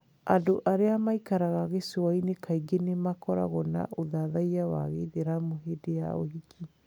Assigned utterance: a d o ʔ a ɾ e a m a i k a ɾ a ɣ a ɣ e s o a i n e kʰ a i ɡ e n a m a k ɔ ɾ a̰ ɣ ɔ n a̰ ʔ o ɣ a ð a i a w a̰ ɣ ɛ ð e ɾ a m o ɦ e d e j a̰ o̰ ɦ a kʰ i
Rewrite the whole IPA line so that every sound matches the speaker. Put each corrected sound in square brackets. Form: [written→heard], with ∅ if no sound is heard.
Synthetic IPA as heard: a d o ʔ a ɾ e a m a i k a ɾ a ɣ a ɣ e s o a i n e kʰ a i ɡ e n [a→e] m a k ɔ ɾ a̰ ɣ ɔ n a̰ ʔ o [ɣ→ð] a ð a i a w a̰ ɣ [ɛ→e] ð e ɾ a m o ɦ e d e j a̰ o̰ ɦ [a→i] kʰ i